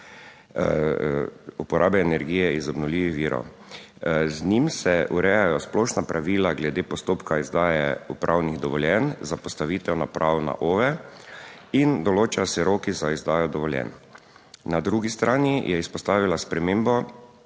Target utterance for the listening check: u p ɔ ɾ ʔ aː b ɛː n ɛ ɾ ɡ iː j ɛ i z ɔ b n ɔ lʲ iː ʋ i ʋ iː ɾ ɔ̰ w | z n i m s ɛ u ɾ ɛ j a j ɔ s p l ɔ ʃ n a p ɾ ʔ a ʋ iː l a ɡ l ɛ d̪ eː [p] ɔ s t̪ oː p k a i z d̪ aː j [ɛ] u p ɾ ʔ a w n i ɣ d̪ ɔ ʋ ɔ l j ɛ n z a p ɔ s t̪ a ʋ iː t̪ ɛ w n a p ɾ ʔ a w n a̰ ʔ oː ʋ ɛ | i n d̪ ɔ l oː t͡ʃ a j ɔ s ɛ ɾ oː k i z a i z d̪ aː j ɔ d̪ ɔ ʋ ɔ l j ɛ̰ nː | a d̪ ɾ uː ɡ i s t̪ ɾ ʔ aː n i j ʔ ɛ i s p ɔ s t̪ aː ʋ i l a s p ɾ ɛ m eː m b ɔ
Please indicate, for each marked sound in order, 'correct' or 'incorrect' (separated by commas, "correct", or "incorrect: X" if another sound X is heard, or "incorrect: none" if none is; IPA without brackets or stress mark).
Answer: correct, correct